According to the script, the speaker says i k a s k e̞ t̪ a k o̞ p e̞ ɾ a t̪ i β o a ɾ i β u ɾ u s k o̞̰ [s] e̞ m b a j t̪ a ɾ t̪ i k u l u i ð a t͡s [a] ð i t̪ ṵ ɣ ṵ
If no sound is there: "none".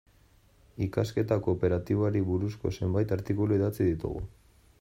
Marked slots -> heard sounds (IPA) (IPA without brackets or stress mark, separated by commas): s, i